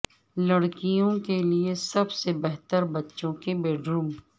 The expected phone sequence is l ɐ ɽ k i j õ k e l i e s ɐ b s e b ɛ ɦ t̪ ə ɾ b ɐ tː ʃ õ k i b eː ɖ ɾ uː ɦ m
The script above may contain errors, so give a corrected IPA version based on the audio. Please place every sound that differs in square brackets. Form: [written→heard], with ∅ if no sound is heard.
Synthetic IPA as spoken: l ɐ ɽ k i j õ k e l i e s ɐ b s e b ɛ ɦ t̪ ə ɾ b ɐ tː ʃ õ k [i→e] b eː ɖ ɾ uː [ɦ→∅] m